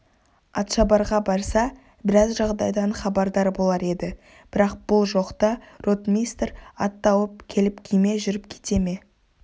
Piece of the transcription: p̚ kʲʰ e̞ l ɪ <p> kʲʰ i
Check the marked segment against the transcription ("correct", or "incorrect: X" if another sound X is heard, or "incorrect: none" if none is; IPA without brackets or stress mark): correct